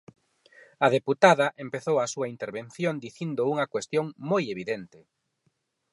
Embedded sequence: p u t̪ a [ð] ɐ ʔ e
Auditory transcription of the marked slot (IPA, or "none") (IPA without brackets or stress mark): ð